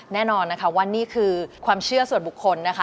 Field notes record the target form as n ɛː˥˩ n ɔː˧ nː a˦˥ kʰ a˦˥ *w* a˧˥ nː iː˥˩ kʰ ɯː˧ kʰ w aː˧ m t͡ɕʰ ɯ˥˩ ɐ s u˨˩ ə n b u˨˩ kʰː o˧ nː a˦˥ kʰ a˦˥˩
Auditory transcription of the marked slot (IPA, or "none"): w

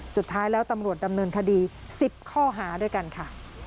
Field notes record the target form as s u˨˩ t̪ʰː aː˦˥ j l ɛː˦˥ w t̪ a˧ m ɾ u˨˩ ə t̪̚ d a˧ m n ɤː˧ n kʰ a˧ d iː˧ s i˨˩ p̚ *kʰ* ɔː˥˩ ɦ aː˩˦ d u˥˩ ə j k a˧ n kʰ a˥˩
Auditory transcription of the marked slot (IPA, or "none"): kʰ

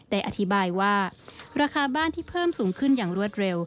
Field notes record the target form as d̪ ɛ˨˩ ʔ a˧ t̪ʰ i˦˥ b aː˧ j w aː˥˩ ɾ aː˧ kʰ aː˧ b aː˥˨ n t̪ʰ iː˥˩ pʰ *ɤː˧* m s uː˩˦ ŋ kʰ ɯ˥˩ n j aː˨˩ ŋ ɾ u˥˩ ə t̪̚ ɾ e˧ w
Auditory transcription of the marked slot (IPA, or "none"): ɤː˥˩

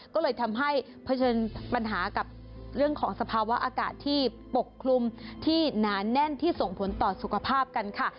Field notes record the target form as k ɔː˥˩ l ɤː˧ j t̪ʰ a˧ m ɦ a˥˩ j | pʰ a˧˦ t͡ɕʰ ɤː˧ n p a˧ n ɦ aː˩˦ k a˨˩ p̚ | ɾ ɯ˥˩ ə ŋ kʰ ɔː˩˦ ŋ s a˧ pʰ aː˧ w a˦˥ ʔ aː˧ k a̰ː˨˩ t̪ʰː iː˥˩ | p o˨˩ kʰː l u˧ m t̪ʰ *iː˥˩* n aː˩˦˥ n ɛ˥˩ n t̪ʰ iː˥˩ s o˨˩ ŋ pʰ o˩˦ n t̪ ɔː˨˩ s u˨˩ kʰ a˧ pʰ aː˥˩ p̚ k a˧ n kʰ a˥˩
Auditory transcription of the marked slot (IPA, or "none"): iː˥˩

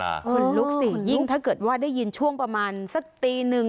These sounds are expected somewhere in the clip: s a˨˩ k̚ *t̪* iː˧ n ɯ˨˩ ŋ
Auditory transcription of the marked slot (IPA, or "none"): t̪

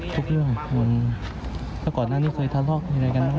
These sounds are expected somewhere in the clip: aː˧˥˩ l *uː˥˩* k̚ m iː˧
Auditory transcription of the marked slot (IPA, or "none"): ɔː˥˩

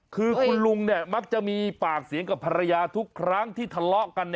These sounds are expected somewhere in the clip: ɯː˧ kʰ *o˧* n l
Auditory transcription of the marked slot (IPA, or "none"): u˧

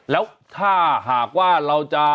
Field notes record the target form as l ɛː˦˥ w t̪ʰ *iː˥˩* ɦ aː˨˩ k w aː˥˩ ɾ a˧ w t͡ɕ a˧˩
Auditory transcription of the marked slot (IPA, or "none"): aː˥˩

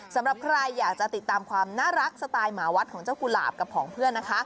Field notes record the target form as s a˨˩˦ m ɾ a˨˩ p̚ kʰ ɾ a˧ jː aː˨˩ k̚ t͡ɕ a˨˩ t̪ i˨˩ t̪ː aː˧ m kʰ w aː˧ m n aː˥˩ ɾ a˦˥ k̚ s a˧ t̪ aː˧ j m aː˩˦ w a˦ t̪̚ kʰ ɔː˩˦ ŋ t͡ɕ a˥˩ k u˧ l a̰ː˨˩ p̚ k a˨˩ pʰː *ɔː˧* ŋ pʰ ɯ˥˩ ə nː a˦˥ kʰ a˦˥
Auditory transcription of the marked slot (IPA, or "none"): ɔː˩˦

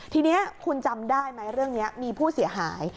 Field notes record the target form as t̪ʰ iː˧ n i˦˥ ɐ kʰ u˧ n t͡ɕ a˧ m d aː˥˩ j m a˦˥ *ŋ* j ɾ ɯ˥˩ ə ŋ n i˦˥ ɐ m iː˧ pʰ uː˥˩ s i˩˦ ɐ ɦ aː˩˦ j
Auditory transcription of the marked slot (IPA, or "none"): none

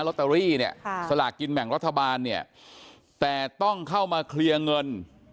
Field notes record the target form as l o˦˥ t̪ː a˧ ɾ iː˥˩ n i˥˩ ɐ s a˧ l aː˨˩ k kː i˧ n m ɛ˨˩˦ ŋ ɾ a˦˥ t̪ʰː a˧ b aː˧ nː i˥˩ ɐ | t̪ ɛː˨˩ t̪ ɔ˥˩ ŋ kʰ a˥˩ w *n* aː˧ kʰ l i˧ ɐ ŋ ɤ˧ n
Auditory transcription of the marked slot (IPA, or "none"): m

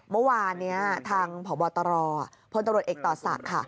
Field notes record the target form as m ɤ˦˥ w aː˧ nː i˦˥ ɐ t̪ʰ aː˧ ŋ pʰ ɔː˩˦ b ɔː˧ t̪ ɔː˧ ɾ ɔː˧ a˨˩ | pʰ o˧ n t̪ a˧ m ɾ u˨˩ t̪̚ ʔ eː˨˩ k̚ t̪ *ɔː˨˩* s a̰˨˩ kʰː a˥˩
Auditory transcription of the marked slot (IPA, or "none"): ɔː˨˩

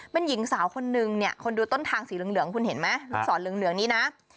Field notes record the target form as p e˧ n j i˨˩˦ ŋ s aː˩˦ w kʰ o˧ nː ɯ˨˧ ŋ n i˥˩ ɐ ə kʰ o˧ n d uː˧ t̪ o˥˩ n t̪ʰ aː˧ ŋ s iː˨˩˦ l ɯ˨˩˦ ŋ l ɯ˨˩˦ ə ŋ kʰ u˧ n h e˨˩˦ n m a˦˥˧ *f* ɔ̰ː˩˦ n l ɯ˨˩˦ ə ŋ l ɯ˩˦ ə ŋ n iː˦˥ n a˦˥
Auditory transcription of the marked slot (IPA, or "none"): s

